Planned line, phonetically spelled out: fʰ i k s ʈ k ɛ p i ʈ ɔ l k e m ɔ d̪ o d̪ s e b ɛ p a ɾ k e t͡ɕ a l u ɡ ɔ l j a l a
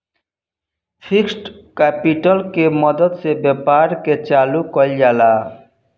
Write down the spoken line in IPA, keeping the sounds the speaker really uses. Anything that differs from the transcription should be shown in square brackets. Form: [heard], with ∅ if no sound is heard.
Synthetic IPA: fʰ i k s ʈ k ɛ p i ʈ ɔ l k e m ɔ d̪ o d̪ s e b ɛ p a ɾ k e t͡ɕ a l u [k] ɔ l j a l a